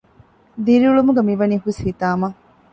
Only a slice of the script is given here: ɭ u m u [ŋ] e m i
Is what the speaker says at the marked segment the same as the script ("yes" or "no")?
no